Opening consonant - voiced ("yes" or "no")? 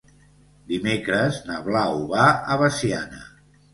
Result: yes